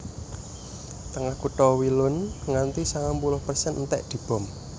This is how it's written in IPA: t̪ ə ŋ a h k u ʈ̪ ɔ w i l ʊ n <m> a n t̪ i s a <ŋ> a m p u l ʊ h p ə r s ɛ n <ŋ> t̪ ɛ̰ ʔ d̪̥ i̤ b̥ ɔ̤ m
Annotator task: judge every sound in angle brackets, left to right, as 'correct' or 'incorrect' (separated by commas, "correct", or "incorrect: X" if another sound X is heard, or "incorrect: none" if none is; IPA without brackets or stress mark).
incorrect: ŋ, correct, incorrect: n